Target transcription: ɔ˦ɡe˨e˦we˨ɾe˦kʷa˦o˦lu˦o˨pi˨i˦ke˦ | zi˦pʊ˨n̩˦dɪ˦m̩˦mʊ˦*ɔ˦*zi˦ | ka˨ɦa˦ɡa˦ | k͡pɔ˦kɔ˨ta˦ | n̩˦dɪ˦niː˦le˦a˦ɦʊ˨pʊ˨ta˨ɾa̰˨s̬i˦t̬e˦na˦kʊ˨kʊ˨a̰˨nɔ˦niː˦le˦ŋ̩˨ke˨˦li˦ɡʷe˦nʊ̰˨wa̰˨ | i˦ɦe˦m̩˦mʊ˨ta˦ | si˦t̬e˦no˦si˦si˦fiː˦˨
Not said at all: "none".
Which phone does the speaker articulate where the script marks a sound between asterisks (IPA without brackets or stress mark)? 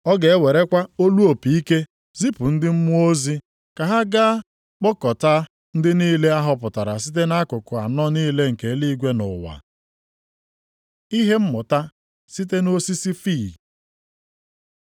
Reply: o˦